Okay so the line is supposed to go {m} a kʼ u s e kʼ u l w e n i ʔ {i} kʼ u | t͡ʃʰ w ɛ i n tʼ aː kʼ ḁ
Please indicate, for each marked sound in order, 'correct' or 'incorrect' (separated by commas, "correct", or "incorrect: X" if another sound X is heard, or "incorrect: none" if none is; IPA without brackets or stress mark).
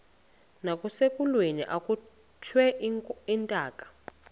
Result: incorrect: n, incorrect: a